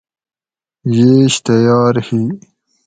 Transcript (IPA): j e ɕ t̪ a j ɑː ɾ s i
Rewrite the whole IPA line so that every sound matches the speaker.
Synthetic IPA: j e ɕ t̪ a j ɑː ɾ h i